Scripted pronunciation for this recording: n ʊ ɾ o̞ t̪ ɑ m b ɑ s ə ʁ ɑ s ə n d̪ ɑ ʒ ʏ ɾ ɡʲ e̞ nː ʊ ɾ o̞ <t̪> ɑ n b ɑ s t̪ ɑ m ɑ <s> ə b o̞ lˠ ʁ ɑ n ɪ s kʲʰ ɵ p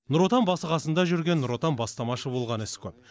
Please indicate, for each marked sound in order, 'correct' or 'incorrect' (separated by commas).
correct, incorrect